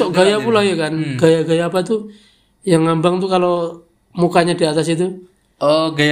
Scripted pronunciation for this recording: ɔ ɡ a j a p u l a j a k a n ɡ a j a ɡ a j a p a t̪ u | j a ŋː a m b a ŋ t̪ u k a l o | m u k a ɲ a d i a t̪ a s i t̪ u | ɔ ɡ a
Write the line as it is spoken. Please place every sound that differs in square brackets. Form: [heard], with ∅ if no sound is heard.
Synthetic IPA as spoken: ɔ ɡ a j a p u l a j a k a n ɡ a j a ɡ a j a p a t̪ u | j a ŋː a m b a ŋ t̪ u k a l o | m u k a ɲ a d i a t̪ a s i t̪ u | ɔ ɡ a